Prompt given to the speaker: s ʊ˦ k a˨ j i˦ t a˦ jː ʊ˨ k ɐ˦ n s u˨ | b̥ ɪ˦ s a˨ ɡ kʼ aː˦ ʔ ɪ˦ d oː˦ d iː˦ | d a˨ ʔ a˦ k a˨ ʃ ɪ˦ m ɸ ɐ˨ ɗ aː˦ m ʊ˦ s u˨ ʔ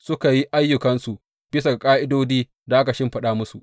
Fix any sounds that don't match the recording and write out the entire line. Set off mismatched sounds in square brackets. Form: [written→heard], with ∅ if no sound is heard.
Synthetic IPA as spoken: s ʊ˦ k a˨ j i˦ [t→ʔ] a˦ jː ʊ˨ k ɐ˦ n s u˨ | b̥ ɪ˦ s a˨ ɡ kʼ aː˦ ʔ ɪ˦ d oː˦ d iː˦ | d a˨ ʔ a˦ k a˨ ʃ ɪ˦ m ɸ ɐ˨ ɗ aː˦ m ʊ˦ s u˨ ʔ

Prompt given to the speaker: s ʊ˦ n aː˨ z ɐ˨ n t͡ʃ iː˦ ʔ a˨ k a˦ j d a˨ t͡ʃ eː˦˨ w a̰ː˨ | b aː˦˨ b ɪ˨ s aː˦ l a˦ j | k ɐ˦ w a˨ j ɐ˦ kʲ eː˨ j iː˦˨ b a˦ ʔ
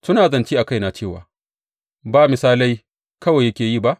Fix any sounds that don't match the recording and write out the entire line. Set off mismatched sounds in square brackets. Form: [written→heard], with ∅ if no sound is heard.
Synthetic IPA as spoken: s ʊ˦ n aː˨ z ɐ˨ n t͡ʃ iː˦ ʔ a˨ k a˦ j [d→n] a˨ t͡ʃ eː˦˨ w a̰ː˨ | b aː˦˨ [b→m] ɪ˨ s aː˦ l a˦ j | k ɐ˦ w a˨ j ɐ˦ kʲ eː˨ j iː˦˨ b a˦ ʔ

